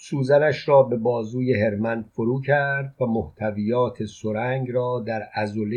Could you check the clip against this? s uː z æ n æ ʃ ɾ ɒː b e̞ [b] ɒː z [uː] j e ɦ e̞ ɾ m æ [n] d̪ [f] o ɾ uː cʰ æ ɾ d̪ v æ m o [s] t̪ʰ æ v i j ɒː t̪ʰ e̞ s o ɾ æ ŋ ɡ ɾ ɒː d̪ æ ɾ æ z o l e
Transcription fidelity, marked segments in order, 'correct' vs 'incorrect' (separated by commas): correct, correct, correct, correct, incorrect